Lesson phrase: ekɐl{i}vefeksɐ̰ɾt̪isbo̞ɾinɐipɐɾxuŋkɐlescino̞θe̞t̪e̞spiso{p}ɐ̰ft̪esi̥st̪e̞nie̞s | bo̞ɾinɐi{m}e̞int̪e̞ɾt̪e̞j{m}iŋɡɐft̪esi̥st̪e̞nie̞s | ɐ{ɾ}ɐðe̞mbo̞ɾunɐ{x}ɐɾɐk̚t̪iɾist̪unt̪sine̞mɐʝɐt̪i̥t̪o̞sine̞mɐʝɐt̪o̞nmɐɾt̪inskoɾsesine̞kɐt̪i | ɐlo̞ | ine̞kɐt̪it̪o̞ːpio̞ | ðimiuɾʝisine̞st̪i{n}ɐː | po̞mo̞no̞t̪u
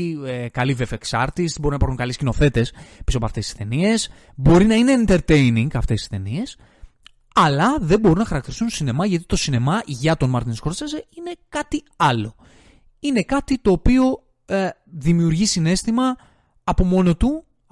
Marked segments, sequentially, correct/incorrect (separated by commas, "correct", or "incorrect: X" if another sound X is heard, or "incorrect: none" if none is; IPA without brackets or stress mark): correct, correct, incorrect: n, incorrect: n, incorrect: l, correct, incorrect: m